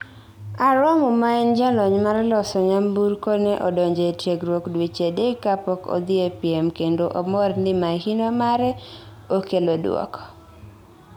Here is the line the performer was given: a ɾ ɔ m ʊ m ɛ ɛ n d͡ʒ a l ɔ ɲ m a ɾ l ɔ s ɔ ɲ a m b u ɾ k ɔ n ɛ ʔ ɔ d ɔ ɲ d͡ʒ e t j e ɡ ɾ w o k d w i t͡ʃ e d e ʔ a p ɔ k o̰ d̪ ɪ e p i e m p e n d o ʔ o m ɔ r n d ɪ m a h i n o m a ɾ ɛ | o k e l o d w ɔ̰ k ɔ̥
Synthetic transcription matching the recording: a ɾ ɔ m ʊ m a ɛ n d͡ʒ a l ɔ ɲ m a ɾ l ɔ s ɔ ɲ a m b u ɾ k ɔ n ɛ ʔ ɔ d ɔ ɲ d͡ʒ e t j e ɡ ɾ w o k d w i t͡ʃ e d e k a p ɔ k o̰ d̪ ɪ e p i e m k e n d o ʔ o m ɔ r n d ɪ m a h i n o m a ɾ ɛ | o k e l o d w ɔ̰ k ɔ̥